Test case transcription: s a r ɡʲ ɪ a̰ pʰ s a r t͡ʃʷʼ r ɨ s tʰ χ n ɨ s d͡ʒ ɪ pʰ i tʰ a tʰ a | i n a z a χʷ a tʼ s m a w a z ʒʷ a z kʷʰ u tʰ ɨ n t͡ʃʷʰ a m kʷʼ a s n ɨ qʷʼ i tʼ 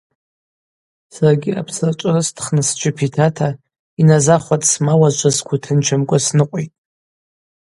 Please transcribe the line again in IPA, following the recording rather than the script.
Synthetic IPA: s a r ɡʲ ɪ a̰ pʰ s a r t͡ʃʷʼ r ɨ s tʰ χ n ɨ s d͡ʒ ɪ pʰ i tʰ a tʰ a | i n a z a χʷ a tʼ s m a w a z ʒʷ a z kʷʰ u tʰ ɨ n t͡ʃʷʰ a m kʷʼ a s n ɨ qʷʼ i tʼ